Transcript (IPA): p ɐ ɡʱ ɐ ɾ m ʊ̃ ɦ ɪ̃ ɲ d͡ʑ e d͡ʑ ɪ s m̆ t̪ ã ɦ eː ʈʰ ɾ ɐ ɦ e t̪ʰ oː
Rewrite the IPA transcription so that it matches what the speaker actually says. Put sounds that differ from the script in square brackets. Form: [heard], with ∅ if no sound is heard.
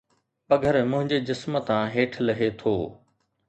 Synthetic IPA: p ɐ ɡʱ [ə] ɾ m ʊ̃ ɦ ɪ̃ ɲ d͡ʑ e d͡ʑ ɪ s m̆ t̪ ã ɦ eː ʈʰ [l] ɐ ɦ e t̪ʰ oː